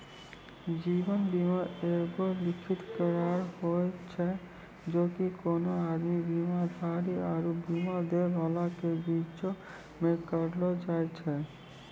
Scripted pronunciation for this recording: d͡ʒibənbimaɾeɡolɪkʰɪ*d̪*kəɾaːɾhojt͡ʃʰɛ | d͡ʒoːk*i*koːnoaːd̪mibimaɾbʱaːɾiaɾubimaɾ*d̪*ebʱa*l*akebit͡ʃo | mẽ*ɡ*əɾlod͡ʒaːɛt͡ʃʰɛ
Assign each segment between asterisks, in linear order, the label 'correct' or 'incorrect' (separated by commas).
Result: incorrect, correct, correct, correct, incorrect